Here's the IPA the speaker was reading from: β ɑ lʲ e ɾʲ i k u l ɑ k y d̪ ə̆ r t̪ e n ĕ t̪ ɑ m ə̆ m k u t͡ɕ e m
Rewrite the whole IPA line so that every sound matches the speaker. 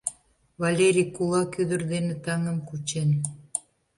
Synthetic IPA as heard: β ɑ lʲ e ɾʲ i k u l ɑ k y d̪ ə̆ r d̪ e n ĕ t̪ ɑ ŋ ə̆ m k u t͡ɕ e n